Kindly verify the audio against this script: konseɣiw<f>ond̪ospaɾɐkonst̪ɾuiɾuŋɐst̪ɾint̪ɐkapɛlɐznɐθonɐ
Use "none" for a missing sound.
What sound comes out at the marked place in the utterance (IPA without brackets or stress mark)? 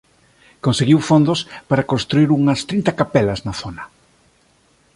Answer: f